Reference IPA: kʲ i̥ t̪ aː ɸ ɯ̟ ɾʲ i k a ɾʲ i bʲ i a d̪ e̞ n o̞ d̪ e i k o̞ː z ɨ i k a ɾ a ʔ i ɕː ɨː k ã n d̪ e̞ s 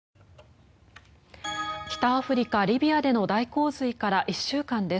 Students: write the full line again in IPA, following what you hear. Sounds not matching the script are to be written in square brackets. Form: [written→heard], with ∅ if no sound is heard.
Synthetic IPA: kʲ i̥ t̪ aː ɸ ɯ̟ ɾʲ i k a ɾʲ i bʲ i a d̪ e̞ n o̞ d̪ [e→a] i k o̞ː z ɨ i k a ɾ a ʔ i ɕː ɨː k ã n d̪ e̞ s